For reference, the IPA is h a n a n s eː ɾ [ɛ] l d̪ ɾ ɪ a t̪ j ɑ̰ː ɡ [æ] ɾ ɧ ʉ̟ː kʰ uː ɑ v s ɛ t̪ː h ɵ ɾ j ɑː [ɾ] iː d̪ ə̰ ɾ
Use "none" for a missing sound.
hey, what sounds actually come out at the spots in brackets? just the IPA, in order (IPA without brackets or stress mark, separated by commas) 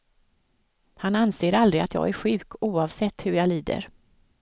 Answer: a, æ, l